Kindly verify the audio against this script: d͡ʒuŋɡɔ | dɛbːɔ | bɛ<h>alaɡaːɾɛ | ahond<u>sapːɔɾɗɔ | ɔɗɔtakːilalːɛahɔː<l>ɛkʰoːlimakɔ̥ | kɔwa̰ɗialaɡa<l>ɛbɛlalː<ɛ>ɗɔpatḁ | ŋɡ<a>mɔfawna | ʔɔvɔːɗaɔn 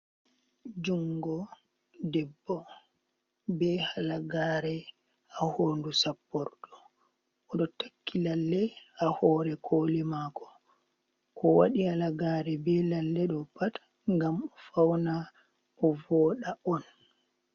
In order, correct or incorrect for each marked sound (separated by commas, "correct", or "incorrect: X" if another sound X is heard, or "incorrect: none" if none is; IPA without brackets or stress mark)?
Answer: correct, correct, incorrect: ɾ, incorrect: ɾ, correct, correct